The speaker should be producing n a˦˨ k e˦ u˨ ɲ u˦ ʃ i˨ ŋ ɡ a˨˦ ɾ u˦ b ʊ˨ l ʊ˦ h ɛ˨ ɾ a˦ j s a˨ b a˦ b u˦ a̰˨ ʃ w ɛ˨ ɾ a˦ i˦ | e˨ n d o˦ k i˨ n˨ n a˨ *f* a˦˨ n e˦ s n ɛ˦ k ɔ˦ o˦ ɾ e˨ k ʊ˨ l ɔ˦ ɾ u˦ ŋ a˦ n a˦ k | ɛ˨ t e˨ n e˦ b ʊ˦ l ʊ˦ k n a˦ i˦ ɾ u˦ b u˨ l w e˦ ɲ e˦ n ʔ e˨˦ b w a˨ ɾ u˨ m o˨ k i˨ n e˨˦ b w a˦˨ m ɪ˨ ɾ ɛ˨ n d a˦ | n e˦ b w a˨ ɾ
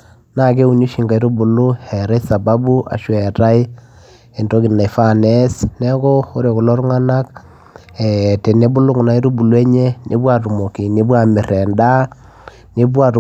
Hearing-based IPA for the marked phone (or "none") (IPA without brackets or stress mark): f